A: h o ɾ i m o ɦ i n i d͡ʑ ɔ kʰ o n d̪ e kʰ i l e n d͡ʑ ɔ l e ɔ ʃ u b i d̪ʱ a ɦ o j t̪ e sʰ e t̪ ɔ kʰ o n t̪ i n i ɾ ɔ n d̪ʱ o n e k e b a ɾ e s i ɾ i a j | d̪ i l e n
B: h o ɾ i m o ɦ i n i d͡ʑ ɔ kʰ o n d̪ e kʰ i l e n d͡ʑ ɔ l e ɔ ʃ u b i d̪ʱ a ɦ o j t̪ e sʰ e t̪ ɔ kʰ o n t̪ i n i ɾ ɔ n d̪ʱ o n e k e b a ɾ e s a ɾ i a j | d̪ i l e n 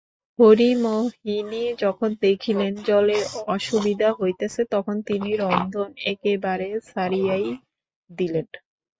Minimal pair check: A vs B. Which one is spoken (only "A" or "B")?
B